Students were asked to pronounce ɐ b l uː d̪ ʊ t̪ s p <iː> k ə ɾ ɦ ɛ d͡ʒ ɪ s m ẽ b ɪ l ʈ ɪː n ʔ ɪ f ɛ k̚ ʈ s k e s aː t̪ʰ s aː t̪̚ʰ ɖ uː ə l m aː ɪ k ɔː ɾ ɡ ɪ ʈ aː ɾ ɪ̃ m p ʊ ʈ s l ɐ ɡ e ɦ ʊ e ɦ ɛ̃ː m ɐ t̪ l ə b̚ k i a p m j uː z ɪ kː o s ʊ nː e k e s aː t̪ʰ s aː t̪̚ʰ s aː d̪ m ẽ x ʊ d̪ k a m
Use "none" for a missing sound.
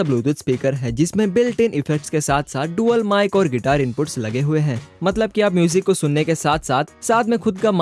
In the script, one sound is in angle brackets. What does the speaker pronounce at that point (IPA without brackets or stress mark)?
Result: iː